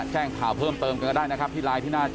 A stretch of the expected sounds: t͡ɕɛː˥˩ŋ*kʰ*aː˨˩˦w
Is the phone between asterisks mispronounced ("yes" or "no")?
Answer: no